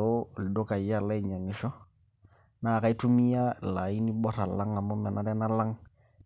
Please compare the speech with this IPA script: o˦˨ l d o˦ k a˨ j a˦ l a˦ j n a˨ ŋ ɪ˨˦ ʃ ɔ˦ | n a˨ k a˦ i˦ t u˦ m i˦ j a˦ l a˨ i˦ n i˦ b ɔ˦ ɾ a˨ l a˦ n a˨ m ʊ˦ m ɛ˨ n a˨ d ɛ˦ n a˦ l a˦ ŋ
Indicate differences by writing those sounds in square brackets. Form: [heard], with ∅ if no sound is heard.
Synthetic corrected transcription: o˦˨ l d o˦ k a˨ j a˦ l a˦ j [ɲ] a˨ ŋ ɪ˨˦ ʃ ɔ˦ | n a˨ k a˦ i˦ t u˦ m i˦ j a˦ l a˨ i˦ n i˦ b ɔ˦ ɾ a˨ l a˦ [ŋ] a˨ m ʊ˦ m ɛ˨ n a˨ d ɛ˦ n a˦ l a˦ ŋ